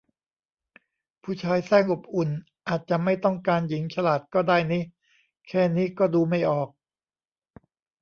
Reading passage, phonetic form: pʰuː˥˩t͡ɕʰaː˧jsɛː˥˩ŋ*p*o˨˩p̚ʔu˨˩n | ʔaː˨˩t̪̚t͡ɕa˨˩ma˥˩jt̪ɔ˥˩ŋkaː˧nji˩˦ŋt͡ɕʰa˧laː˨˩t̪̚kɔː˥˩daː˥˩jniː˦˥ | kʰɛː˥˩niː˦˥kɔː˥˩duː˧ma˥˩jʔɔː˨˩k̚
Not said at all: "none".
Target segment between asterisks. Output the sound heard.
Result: ʔ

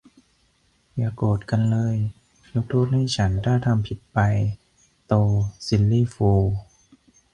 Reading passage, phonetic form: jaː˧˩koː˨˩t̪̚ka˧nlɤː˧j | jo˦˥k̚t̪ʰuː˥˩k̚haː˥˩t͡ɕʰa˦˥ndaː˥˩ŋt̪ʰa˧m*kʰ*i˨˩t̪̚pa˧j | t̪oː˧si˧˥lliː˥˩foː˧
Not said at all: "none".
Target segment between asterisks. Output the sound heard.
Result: pʰ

